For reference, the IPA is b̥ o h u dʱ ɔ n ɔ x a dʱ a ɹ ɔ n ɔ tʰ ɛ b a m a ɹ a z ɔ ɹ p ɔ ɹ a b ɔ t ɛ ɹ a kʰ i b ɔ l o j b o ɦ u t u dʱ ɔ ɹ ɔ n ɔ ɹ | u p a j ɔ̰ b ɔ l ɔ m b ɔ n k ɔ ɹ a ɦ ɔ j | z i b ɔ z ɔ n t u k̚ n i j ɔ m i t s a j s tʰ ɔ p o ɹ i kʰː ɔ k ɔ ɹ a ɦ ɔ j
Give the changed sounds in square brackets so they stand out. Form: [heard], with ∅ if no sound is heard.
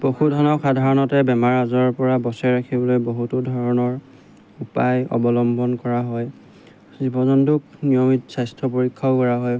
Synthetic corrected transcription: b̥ o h u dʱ ɔ n ɔ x a dʱ a ɹ ɔ n ɔ [t] ɛ b [ɛ] m a ɹ a z ɔ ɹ p ɔ ɹ a b ɔ [s] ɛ ɹ a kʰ i b ɔ l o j b o ɦ u t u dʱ ɔ ɹ ɔ n ɔ ɹ | u p a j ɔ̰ b ɔ l ɔ m b ɔ n k ɔ ɹ a ɦ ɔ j | z i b ɔ z ɔ n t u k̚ n i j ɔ m i t s a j s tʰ ɔ p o ɹ i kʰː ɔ k ɔ ɹ a ɦ ɔ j